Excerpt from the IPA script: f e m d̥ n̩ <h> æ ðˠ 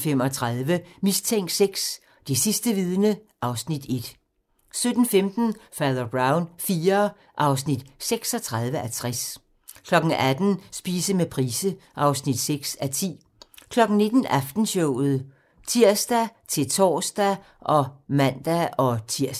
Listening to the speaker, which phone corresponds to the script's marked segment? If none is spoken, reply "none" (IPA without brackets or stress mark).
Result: f